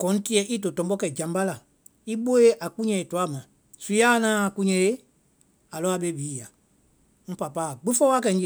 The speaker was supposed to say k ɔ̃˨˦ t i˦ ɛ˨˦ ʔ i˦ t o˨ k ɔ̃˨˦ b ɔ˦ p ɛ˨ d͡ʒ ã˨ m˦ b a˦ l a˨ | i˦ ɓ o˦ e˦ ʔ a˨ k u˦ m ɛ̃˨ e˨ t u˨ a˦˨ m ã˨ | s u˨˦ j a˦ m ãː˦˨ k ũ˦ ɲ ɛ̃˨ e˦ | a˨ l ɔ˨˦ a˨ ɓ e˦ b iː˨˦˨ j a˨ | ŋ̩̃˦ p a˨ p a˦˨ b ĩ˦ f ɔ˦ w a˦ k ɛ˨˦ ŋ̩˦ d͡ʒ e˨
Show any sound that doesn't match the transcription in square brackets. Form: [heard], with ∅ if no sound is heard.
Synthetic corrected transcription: k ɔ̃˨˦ t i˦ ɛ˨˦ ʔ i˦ t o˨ [t] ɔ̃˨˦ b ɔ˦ [k] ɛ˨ d͡ʒ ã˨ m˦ b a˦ l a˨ | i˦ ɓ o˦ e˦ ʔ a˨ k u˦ [ɲ] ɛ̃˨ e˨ t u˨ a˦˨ m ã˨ | s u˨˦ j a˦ [n] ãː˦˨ k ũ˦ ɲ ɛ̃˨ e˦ | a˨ l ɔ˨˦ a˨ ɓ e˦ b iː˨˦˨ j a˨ | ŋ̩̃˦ p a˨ p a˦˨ [ɡ͡b] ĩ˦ f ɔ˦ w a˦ k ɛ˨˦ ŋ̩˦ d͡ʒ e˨